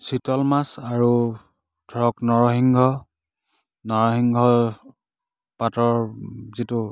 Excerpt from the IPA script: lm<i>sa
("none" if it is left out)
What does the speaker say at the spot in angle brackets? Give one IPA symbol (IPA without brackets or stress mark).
a